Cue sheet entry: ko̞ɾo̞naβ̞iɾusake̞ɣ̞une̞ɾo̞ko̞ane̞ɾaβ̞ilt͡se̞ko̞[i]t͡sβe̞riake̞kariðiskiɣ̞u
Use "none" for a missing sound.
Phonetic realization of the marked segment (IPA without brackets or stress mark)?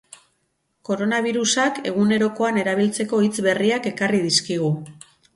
i